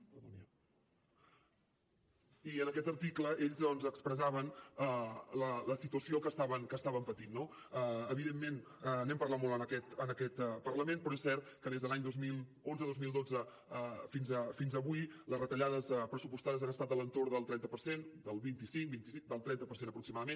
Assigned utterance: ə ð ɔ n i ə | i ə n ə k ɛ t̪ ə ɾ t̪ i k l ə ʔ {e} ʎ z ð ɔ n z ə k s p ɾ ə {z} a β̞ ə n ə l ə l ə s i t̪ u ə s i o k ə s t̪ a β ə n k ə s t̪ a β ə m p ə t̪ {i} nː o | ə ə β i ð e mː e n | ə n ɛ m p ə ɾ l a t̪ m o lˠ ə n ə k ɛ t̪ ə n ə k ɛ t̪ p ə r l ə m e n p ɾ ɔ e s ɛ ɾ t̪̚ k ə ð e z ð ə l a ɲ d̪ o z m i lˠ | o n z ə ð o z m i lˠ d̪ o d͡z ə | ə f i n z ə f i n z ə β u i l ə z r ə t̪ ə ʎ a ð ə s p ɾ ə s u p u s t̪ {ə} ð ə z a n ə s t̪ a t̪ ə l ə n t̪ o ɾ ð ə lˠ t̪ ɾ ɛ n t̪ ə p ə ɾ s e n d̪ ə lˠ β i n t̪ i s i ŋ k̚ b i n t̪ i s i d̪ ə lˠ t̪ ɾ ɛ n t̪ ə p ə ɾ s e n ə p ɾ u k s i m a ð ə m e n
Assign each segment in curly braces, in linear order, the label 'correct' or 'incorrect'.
correct, correct, correct, incorrect: a

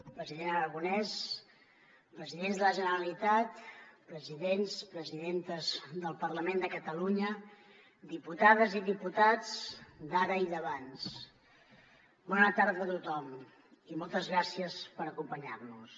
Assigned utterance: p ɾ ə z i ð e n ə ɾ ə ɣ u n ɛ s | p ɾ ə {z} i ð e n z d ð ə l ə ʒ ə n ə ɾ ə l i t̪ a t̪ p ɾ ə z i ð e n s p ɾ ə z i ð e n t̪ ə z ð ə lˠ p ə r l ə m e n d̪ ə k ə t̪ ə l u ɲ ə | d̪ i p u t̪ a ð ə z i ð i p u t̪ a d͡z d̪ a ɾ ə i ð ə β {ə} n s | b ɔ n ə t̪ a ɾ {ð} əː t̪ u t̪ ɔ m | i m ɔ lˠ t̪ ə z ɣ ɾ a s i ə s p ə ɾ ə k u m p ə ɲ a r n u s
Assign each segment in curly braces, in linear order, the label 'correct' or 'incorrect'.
correct, incorrect: a, correct

